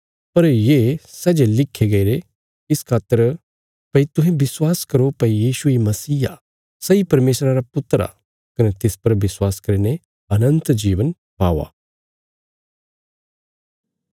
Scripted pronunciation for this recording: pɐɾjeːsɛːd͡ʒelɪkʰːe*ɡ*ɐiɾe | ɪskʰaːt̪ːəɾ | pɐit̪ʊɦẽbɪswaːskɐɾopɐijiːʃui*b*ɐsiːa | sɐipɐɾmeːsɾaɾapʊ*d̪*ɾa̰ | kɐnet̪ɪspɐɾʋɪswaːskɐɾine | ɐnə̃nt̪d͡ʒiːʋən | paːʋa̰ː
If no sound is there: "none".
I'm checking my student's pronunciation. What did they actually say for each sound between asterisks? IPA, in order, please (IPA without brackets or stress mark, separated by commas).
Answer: ɡ, m, t̪